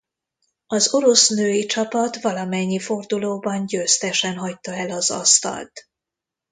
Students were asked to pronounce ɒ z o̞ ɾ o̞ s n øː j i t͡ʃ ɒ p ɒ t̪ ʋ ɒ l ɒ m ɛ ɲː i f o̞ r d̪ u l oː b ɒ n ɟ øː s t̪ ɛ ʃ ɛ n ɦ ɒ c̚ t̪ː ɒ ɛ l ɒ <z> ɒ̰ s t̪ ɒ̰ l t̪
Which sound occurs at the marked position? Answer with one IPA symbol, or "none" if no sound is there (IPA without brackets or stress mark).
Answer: z